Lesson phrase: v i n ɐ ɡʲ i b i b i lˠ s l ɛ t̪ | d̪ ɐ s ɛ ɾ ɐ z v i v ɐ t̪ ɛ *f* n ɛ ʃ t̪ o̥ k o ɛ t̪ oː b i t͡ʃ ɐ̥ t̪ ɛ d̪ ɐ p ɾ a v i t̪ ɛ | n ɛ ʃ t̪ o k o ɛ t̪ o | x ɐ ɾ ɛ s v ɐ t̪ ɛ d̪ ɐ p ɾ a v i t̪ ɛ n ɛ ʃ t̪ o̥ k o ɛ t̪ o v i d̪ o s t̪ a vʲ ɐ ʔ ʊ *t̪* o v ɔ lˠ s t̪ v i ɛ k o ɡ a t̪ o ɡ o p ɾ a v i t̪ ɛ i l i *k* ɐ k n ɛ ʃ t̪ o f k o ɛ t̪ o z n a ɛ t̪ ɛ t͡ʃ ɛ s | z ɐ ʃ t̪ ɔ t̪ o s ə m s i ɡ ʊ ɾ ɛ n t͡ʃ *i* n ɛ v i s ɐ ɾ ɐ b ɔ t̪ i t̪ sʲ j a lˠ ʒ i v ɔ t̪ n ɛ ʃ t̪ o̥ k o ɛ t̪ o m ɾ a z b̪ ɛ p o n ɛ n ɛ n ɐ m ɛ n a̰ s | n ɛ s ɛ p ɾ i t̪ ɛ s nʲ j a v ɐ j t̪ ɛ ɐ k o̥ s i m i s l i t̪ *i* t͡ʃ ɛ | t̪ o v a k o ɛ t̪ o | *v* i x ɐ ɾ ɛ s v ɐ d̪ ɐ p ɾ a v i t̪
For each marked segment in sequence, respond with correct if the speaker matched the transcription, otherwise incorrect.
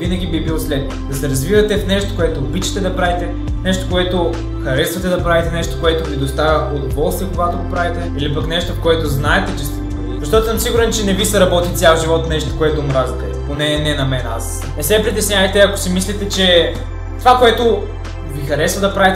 correct, incorrect: d̪, incorrect: p, incorrect: ɛ, incorrect: ɛ, correct

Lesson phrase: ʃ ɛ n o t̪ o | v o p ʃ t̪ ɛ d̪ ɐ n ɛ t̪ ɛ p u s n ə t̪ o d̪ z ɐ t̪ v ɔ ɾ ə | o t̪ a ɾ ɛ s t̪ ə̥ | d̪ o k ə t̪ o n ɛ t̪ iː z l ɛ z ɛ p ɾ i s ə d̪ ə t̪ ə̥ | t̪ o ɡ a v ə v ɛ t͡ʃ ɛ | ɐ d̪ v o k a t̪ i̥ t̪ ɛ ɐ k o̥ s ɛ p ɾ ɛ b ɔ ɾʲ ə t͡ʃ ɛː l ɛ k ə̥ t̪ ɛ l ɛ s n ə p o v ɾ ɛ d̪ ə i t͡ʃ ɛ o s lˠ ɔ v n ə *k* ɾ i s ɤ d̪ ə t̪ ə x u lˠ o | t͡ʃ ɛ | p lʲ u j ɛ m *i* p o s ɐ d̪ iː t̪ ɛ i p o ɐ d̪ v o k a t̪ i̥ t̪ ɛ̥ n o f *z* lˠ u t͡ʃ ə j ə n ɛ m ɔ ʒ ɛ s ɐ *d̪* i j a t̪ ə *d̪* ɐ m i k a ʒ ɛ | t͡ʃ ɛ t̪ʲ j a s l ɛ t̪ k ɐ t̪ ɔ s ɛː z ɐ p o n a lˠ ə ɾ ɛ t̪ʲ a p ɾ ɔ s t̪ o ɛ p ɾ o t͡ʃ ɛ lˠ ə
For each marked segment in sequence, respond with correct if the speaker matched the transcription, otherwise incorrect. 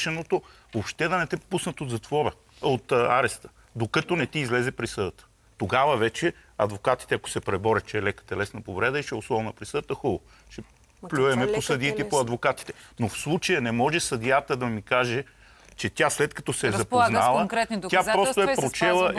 incorrect: p, incorrect: ɛ, incorrect: s, correct, correct

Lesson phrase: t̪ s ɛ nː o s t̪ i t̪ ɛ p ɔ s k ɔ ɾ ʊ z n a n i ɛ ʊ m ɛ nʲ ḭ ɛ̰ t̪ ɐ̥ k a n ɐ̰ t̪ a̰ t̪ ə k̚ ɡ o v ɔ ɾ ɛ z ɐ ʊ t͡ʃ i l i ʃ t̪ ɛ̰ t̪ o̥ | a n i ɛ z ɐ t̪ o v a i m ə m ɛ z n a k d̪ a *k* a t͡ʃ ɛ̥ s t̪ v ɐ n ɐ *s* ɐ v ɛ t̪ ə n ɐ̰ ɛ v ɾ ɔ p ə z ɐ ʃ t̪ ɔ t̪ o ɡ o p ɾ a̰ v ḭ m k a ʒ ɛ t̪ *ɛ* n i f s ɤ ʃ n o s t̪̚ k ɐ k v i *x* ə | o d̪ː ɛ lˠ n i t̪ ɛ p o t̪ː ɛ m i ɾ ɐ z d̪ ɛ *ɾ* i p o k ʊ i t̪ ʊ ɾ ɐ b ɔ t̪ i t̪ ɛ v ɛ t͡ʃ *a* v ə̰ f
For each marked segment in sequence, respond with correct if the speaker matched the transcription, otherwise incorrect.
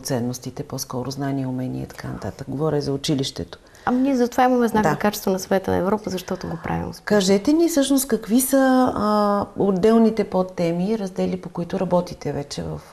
correct, correct, correct, incorrect: s, incorrect: l, incorrect: ɛ

